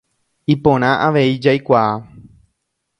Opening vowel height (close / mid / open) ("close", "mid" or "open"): close